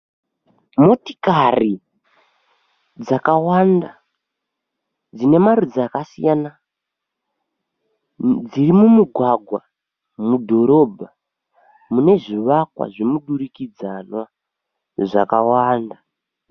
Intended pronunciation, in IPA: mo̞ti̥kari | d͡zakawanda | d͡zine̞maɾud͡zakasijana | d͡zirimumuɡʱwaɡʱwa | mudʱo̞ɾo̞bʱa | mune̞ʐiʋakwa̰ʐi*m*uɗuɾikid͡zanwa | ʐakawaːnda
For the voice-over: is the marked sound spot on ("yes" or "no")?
yes